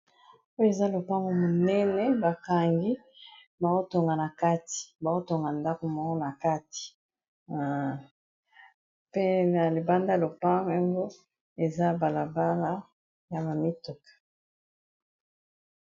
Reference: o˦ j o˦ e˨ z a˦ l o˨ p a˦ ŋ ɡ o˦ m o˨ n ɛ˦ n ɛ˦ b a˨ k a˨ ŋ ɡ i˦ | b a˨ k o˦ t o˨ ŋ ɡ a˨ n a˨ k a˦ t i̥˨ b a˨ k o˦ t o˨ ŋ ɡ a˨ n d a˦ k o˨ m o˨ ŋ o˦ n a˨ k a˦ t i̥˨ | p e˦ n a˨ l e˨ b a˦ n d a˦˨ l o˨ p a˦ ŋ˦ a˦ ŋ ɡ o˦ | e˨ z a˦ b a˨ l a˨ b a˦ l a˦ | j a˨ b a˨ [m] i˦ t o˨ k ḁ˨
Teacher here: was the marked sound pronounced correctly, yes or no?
yes